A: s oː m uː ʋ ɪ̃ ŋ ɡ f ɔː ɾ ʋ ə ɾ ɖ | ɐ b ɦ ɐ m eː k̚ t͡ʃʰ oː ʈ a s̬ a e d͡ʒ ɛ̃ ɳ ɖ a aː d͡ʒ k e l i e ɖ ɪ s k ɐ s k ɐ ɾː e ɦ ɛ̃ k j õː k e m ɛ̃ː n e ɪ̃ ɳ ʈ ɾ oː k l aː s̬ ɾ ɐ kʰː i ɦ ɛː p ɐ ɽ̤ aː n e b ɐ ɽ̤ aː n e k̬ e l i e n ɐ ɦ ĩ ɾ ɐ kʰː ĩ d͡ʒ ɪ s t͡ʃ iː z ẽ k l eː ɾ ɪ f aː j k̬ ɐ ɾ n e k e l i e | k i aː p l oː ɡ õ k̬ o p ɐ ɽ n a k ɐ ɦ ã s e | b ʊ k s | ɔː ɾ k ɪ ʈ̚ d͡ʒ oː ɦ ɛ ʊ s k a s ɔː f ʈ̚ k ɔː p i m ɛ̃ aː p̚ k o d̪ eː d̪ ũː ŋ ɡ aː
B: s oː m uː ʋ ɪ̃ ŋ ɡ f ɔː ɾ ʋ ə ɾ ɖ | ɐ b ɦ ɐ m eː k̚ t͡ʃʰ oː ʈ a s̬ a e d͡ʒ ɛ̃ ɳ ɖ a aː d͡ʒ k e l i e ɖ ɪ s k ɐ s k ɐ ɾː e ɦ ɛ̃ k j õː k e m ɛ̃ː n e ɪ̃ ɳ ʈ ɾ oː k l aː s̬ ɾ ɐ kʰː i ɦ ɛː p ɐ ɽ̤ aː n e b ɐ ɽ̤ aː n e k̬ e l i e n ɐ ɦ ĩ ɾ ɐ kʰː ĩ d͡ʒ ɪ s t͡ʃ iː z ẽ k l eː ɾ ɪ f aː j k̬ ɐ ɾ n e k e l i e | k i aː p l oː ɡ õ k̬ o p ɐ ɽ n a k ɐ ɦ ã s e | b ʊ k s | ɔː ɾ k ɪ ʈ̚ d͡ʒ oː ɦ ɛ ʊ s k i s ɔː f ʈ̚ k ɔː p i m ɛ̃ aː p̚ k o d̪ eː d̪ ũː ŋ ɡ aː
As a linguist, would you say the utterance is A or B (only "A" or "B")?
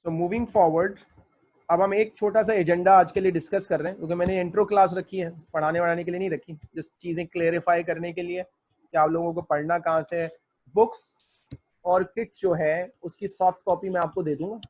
B